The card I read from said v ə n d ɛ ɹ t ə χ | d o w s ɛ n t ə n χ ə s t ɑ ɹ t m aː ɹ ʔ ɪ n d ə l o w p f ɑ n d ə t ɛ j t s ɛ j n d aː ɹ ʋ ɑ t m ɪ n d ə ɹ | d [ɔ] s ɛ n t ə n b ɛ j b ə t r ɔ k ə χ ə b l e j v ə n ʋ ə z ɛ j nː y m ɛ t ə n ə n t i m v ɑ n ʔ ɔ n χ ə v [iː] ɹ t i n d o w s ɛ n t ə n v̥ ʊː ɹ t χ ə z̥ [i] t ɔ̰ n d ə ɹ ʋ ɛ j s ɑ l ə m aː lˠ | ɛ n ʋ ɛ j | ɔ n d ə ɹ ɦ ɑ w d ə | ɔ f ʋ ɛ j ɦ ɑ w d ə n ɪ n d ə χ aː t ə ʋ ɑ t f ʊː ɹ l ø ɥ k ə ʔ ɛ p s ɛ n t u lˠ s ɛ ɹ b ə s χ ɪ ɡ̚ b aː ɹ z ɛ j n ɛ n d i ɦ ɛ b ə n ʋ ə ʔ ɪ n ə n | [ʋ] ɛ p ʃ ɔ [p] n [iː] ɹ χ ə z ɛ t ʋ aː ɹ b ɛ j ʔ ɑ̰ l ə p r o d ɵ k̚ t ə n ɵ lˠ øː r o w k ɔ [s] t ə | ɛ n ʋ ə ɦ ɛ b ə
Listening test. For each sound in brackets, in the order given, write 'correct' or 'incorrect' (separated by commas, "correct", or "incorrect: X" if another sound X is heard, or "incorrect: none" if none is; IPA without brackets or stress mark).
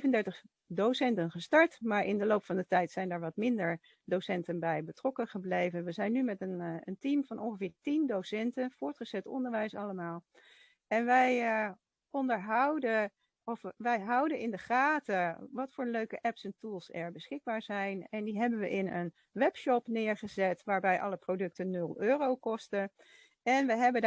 incorrect: o, incorrect: ɪː, incorrect: ɛ, correct, correct, incorrect: ɪː, correct